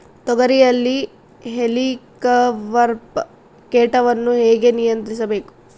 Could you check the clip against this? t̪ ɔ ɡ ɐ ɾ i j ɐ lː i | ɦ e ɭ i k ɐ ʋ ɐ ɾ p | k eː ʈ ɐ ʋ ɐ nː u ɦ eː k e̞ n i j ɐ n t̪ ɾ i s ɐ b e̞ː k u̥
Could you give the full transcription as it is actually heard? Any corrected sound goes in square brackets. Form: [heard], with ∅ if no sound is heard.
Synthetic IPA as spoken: t̪ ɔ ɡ ɐ ɾ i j ɐ lː i | ɦ e [l] i k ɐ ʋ ɐ ɾ p | k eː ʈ ɐ ʋ ɐ nː u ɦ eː [ɡ] e̞ n i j ɐ n t̪ ɾ i s ɐ b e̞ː k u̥